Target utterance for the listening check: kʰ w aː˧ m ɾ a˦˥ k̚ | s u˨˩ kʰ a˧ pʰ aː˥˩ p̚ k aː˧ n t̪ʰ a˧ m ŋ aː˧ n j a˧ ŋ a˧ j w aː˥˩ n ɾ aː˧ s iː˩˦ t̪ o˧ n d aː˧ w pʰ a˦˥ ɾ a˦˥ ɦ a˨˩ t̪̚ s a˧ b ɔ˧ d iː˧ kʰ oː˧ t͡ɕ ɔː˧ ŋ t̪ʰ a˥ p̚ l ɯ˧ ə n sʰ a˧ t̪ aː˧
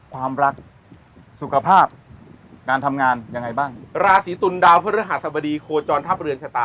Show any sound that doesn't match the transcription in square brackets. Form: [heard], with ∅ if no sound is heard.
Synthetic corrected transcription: kʰ w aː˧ m ɾ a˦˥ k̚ | s u˨˩ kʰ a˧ pʰ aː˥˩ p̚ k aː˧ n t̪ʰ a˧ m ŋ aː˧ n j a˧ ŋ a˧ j [b] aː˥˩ [ŋ] ɾ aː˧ s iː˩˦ t̪ [u˧] n d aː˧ w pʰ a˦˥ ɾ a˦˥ ɦ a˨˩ t̪̚ s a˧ b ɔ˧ d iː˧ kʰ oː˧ t͡ɕ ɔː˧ [n] t̪ʰ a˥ p̚ [ɾ] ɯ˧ ə n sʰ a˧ t̪ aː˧